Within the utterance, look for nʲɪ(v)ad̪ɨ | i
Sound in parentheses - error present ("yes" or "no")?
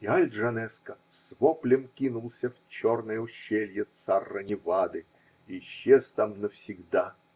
no